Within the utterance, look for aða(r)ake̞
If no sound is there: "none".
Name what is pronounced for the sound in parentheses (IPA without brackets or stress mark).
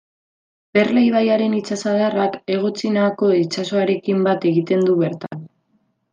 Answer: r